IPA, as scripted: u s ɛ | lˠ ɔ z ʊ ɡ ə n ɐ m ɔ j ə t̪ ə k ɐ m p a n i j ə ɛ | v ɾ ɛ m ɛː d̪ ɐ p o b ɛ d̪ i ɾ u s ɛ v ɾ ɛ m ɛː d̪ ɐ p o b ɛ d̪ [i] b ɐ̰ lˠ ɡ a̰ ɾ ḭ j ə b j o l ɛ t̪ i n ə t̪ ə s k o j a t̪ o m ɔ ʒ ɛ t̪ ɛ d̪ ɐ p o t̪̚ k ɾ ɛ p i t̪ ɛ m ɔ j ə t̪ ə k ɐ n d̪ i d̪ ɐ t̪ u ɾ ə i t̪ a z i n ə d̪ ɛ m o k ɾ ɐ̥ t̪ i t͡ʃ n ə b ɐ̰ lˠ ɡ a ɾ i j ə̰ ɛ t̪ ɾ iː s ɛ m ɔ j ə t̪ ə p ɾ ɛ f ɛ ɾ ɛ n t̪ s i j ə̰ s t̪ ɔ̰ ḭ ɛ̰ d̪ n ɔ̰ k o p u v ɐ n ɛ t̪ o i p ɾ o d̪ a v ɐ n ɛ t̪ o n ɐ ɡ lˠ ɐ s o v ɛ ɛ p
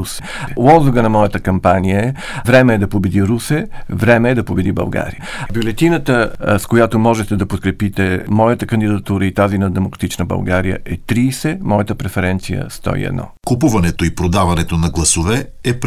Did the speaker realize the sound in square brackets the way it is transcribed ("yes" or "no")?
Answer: yes